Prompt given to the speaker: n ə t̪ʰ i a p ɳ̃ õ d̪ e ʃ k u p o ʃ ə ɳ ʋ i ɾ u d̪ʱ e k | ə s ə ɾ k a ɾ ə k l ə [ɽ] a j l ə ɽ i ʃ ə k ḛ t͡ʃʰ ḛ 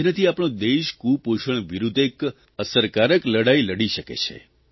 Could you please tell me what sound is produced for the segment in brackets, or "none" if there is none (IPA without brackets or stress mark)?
ɽ